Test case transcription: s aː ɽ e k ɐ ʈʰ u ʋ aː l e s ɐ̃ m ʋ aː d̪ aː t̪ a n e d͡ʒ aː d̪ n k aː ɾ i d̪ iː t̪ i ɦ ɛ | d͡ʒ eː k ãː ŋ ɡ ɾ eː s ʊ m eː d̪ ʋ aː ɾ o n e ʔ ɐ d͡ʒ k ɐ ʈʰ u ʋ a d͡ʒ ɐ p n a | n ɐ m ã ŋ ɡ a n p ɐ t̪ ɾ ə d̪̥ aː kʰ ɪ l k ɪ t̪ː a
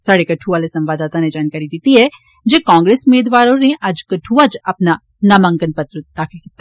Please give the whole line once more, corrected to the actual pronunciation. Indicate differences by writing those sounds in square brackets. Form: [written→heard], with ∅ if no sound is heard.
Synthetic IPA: s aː ɽ e k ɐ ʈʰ u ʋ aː l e s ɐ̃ m ʋ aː d̪ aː t̪ a n e d͡ʒ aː [d̪→∅] n k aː ɾ i d̪ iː t̪ i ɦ ɛ | d͡ʒ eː k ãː ŋ ɡ ɾ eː s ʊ m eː d̪ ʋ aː ɾ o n e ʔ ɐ d͡ʒ k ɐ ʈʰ u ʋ a d͡ʒ ɐ p n a | n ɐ m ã ŋ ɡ [a→ə] n p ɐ t̪ ɾ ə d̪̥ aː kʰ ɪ l k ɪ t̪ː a